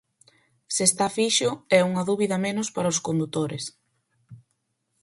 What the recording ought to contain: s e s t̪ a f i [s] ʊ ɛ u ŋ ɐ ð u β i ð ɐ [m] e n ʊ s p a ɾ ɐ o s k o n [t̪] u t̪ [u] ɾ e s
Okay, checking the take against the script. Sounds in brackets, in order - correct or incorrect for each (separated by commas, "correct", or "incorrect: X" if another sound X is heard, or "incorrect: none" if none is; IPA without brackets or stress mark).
incorrect: ʃ, correct, incorrect: d̪, incorrect: o